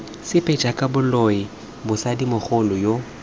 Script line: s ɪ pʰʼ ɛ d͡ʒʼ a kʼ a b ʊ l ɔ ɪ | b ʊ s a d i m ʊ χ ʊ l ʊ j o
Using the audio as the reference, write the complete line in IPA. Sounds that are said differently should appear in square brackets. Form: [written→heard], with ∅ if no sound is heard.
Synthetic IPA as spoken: s ɪ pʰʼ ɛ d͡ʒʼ a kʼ a b ʊ l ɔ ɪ | b ʊ s a d i m ʊ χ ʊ l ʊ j o